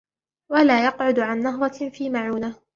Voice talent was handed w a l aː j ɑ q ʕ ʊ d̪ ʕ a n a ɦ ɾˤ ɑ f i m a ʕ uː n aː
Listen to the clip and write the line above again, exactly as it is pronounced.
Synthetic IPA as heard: w a l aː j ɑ q ʕ ʊ d̪ ʕ a nː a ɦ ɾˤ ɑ f iː m a ʕ uː n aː